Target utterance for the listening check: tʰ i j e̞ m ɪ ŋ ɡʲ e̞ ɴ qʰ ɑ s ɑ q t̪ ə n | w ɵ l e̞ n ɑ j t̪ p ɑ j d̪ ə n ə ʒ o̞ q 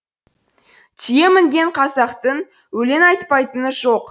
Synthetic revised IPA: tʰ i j e̞ m ɪ ŋ ɡʲ e̞ ɴ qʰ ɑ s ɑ q t̪ ə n | w ɵ l e̞ n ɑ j t̪ p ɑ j t̪ ə n ə ʒ o̞ q